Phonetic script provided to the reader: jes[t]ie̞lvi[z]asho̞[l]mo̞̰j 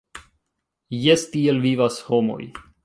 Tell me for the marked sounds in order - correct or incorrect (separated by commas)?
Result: correct, incorrect, incorrect